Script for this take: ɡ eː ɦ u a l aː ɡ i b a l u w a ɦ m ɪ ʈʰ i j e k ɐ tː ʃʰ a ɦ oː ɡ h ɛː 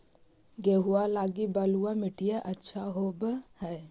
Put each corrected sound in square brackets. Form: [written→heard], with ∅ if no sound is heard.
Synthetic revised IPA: ɡ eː ɦ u a l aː ɡ i b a l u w a [ɦ→∅] m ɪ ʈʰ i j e [k→ʔ] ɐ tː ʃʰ a ɦ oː [ɡ→b] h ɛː

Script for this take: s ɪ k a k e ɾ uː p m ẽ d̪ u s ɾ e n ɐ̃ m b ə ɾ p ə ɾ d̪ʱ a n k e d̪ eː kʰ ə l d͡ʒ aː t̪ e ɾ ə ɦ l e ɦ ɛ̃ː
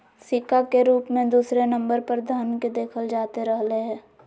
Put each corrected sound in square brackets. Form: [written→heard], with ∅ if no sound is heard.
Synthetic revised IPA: s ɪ k a k e ɾ uː p m ẽ d̪ [u→uː] s ɾ e n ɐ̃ m b ə ɾ p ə ɾ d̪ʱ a n k e d̪ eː kʰ ə l d͡ʒ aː t̪ e ɾ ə ɦ l e ɦ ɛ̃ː

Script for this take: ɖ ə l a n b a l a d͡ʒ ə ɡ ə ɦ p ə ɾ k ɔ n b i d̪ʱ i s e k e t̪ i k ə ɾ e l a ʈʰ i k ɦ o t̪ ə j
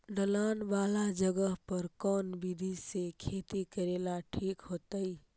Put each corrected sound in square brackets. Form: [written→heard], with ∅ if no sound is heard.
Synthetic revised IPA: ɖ ə l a n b a l a d͡ʒ ə ɡ ə ɦ p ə ɾ k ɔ n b i d̪ʱ i s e [k→kʰ] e t̪ i k ə ɾ e l a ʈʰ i k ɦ o t̪ ə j

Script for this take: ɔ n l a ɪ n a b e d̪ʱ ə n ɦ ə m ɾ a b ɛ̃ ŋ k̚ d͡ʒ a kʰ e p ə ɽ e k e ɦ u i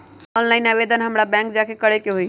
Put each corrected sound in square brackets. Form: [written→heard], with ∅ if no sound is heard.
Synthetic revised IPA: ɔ n l a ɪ n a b e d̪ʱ ə n ɦ ə m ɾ a b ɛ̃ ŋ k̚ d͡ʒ a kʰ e [p→k] ə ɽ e k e ɦ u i

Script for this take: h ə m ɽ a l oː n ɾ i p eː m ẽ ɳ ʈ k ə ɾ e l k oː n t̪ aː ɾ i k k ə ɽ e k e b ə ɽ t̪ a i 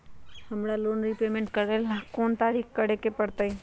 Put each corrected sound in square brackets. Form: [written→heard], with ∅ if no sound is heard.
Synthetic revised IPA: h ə m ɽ a l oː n ɾ i p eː m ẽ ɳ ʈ k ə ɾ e l k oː n t̪ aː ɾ i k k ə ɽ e k e [b→p] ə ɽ t̪ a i

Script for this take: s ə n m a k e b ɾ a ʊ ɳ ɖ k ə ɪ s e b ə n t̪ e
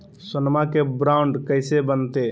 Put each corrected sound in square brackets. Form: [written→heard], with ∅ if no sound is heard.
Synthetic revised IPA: s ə n m a k e b ɾ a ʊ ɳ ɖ k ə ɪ s e b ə n t̪ e

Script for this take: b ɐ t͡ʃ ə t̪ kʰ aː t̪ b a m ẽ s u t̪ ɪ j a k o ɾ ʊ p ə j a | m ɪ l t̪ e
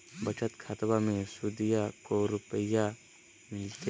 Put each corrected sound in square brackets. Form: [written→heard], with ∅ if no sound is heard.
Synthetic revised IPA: b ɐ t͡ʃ ə t̪ kʰ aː t̪ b a m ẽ s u [t̪→d̪] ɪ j a k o ɾ ʊ p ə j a | m ɪ l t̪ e

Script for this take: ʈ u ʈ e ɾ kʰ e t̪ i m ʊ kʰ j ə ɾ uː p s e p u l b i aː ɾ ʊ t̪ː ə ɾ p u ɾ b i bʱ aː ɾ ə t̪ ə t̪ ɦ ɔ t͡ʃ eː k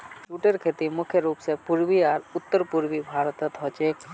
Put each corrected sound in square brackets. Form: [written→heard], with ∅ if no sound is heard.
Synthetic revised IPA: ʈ u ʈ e ɾ kʰ e t̪ i m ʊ kʰ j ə ɾ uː p s e p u [l→ɾ] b i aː ɾ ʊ t̪ː ə ɾ p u ɾ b i bʱ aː ɾ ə t̪ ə t̪ ɦ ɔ t͡ʃ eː k

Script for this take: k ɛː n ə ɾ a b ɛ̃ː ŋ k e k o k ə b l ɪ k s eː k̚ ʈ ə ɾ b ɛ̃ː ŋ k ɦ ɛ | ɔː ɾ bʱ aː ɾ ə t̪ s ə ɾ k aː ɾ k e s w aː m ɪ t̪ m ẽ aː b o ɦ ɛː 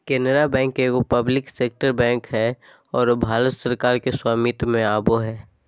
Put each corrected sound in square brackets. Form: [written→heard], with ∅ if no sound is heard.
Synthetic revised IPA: k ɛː n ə ɾ a b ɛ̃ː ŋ k e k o [k→p] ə b l ɪ k s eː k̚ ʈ ə ɾ b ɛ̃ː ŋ k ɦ ɛ | ɔː ɾ bʱ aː ɾ ə t̪ s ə ɾ k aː ɾ k e s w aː m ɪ t̪ m ẽ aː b o ɦ ɛː

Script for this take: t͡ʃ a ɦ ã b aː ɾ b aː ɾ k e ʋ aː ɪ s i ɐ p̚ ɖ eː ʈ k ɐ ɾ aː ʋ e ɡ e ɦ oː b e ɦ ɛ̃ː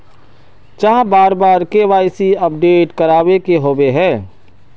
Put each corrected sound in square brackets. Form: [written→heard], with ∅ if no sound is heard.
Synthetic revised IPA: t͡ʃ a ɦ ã b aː ɾ b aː ɾ k e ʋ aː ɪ s i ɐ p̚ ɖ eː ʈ k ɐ ɾ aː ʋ e [ɡ→k] e ɦ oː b e ɦ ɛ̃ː

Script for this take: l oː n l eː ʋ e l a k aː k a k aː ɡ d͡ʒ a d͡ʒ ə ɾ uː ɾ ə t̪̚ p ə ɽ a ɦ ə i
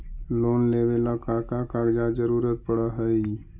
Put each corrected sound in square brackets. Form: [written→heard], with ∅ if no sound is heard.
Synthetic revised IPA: l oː n l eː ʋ e l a k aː k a k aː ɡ d͡ʒ a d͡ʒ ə ɾ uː ɾ ə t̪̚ p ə ɽ a ɦ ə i

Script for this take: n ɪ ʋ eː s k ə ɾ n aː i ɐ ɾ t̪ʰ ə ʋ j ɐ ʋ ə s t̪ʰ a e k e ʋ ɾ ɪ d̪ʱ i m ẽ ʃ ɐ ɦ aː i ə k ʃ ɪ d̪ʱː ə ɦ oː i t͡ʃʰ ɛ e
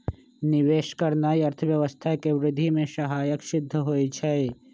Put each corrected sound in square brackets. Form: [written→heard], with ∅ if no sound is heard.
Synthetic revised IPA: n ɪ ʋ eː [s→ʃ] k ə ɾ n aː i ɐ ɾ t̪ʰ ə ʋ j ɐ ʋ ə s t̪ʰ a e k e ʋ ɾ ɪ d̪ʱ i m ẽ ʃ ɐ ɦ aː [i→j] ə k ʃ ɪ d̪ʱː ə ɦ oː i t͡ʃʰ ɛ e

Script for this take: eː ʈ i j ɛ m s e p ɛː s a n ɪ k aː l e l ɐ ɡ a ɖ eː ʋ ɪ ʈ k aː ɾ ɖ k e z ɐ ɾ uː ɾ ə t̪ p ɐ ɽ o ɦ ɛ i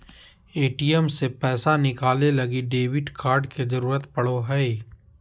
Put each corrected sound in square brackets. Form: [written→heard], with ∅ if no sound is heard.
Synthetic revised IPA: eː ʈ i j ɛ m s e p ɛː s a n ɪ k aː l e l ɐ ɡ [a→i] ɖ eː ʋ ɪ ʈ k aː ɾ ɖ k e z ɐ ɾ uː ɾ ə t̪ p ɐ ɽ o ɦ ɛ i

